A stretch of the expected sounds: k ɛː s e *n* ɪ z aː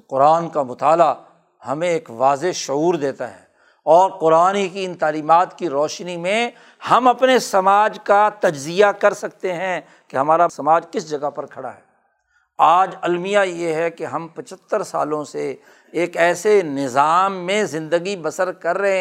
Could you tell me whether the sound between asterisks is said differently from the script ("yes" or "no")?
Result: no